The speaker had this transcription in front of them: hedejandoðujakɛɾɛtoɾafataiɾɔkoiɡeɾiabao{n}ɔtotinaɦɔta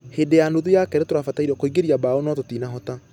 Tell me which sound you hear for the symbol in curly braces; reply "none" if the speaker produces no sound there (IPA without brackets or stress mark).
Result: n